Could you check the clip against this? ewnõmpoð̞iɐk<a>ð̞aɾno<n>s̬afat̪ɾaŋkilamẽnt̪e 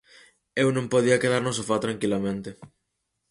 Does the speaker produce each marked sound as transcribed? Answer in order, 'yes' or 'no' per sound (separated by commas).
no, no